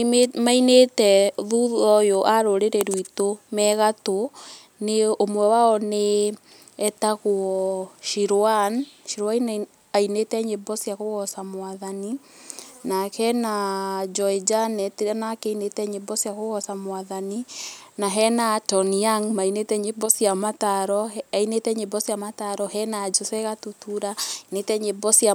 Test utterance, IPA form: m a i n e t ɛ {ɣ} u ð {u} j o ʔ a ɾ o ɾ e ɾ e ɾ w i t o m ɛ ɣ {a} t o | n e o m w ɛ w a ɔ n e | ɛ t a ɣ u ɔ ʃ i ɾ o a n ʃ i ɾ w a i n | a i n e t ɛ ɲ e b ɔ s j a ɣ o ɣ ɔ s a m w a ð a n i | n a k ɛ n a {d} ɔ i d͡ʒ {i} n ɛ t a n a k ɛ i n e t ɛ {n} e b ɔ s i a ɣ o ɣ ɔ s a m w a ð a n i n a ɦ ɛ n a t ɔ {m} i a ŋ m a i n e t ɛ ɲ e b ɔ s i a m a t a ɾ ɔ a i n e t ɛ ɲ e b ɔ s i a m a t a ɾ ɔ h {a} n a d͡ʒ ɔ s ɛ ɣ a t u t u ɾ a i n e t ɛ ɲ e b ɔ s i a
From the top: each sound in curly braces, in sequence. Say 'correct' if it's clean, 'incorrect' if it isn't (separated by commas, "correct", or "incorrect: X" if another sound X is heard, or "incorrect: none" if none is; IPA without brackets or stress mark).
incorrect: ð, incorrect: ɔ, correct, incorrect: d͡ʒ, incorrect: a, incorrect: ɲ, incorrect: n, incorrect: ɛ